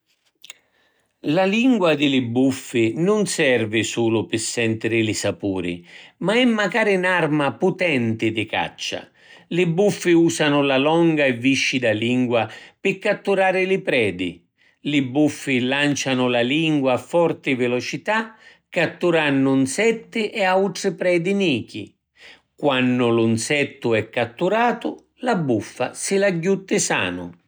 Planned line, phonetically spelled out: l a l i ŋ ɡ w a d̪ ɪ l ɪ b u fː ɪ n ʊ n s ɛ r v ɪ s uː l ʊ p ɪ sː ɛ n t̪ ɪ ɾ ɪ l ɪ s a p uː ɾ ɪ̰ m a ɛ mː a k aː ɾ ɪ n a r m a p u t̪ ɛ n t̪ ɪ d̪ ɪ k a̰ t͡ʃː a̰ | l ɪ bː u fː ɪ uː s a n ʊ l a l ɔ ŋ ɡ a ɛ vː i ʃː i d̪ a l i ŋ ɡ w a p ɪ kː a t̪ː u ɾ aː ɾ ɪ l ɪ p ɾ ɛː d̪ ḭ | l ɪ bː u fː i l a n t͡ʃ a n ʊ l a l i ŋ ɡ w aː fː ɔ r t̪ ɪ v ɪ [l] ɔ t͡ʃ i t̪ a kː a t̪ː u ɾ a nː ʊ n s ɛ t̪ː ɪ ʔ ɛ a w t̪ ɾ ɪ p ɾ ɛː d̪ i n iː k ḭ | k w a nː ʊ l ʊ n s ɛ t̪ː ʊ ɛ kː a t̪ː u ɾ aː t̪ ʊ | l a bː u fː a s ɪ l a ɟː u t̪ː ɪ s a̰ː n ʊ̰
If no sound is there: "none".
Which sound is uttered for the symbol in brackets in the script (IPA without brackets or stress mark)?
l